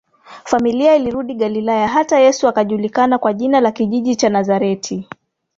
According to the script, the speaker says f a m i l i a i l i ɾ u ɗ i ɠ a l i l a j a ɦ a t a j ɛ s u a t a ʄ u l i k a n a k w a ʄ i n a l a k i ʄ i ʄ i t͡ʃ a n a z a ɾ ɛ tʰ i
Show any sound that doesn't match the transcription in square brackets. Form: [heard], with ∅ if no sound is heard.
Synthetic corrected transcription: f a m i l i a i l i ɾ u ɗ i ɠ a l i l a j a ɦ a t a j ɛ s u a [k] a ʄ u l i k a n a k w a ʄ i n a l a k i ʄ i ʄ i t͡ʃ a n a z a ɾ ɛ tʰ i

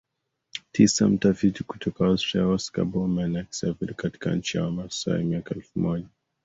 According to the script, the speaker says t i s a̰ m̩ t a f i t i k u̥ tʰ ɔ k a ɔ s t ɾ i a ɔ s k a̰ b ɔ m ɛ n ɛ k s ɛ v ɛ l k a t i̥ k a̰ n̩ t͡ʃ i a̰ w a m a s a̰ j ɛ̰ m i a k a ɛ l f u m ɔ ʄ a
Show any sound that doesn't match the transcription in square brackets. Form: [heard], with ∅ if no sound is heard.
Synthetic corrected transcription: t i s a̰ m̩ t a f i t i k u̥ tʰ ɔ k a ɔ s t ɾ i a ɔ s k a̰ b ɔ m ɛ n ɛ k s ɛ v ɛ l k a t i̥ k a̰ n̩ t͡ʃ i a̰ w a m a s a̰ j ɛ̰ m i a k a ɛ l f u m ɔ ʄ a

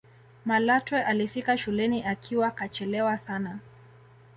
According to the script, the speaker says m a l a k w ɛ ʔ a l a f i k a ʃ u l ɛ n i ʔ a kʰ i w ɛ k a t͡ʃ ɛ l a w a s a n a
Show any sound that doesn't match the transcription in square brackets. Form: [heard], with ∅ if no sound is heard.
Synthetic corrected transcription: m a l a [t] w ɛ ʔ a l [i] f i k a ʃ u l ɛ n i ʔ a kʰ i w [a] k a t͡ʃ ɛ l [ɛ] w a s a n a

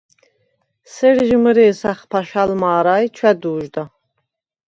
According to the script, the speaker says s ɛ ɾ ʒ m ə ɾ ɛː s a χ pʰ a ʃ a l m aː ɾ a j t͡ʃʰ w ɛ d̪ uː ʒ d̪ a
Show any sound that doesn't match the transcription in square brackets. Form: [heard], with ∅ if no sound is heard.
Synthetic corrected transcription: s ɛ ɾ ʒ m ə ɾ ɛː s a χ pʰ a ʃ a l m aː ɾ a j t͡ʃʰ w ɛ d̪ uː ʒ d̪ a

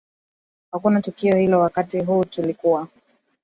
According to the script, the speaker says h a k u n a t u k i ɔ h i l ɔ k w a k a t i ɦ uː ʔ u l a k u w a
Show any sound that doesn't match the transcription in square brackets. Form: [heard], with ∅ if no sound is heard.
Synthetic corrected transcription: h a k u n a t u k i ɔ h i l ɔ [∅] w a k a t i ɦ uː [t] u l [i] k u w a

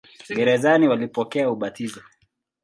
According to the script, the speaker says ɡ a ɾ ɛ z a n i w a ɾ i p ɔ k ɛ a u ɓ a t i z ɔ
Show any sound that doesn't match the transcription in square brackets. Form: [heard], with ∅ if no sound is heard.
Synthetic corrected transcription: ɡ [ɛ] ɾ ɛ z a n i w a [l] i p ɔ k ɛ a u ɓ a t i z ɔ

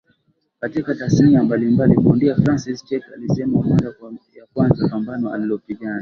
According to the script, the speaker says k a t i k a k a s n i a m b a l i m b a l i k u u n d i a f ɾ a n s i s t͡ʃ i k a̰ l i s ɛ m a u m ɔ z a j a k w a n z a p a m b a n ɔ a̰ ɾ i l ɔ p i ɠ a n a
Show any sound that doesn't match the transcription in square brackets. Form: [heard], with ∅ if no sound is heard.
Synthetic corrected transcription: k a t i k a [t] a s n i a m b a l i m b a l i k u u n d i a f ɾ a n s i s t͡ʃ [ɛ] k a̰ l i s ɛ m a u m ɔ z a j a k w a n z a p a m b a n ɔ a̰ [l] i l ɔ p i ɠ a n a

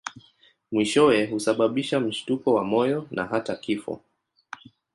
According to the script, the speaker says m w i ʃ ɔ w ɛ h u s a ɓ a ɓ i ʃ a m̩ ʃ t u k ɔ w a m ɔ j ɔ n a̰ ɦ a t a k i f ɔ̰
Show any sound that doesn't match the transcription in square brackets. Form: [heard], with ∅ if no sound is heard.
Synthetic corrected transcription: m w i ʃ ɔ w ɛ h u s a ɓ a ɓ i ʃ a m̩ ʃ t u k ɔ w a m ɔ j ɔ n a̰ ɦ a t a k i f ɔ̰

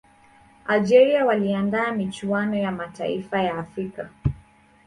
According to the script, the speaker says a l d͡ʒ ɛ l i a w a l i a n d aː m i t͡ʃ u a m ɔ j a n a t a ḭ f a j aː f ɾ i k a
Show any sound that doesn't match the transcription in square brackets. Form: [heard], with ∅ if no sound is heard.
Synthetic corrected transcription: a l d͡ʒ ɛ [ɾ] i a w a l i a n d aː m i t͡ʃ u a [n] ɔ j a [m] a t a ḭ f a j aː f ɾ i k a

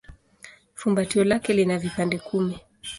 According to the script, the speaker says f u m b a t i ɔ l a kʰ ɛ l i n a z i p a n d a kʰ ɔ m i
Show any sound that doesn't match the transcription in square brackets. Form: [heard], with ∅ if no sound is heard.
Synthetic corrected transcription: f u m b a t i ɔ l a [k] ɛ l i n a [v] i p a n d [ɛ] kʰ [u] m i

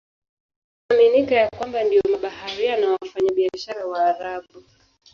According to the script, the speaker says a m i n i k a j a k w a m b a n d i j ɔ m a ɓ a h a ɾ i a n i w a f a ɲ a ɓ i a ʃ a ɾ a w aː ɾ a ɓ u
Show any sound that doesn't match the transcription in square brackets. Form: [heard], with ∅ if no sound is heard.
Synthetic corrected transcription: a m i n i k a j a k w a m b a n d i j ɔ m a ɓ a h a ɾ i a n [a] w a f a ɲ a ɓ i a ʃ a ɾ a w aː ɾ a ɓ u

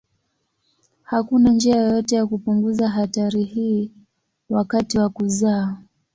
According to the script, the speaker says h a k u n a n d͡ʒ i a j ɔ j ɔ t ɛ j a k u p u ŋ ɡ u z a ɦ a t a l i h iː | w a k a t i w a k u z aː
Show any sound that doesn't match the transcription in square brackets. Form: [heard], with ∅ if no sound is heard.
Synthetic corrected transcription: h a k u n a n d͡ʒ i a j ɔ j ɔ t ɛ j a k u p u ŋ ɡ u z a ɦ a t a [ɾ] i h iː | w a k a t i w a k u z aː

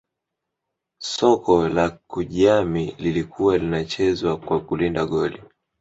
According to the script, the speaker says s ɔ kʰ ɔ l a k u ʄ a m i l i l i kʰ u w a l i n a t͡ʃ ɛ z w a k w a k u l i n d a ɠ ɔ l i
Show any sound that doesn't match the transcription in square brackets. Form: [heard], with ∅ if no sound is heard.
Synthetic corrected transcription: s ɔ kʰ ɔ l a k u ʄ a m i l i l i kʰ u w a l i n a t͡ʃ ɛ z w a k w a k u l i n d a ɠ ɔ l i

